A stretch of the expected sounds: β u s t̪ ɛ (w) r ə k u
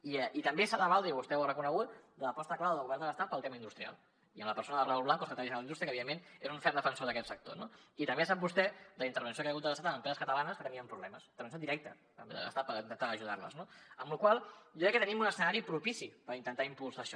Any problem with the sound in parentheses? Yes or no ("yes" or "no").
no